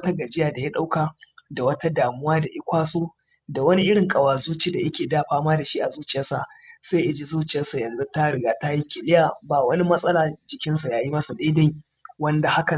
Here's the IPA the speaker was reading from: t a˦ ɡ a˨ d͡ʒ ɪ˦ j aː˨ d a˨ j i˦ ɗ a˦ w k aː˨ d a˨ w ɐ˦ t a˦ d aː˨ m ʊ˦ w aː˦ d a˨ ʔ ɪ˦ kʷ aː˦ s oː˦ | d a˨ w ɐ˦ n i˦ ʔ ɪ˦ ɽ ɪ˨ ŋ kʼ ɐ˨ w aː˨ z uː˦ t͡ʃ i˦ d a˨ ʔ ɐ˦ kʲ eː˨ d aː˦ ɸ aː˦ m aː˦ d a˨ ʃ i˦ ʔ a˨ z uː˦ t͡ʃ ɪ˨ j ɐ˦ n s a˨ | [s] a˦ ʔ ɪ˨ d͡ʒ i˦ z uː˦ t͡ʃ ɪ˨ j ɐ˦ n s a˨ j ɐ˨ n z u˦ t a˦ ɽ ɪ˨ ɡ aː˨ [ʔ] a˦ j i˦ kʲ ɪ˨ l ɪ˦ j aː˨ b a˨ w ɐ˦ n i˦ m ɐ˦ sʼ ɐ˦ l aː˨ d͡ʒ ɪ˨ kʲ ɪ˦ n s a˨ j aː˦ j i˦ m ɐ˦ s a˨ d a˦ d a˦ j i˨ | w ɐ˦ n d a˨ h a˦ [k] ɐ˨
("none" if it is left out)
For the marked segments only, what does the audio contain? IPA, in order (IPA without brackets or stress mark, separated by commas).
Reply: s, t, k